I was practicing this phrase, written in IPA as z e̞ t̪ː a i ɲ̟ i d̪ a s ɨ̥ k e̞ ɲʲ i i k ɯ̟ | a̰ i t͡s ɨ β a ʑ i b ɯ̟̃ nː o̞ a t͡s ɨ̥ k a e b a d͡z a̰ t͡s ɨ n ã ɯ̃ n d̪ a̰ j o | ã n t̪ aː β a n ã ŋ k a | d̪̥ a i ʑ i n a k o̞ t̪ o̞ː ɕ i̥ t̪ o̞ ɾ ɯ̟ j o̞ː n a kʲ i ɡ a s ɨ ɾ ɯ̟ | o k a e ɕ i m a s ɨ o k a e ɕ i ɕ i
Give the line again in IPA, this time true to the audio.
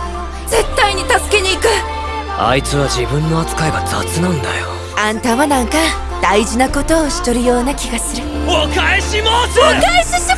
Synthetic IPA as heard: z e̞ t̪ː a i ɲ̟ i t̪ a s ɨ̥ k e̞ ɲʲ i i k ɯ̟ | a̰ i t͡s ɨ β a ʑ i b ɯ̟̃ nː o̞ a t͡s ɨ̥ k a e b a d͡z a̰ t͡s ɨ n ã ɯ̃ n d̪ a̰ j o | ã n t̪ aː β a n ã ŋ k a | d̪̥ a i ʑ i n a k o̞ t̪ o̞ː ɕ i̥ t̪ o̞ ɾ ɯ̟ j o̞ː n a kʲ i ɡ a s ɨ ɾ ɯ̟ | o k a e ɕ i m a s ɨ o k a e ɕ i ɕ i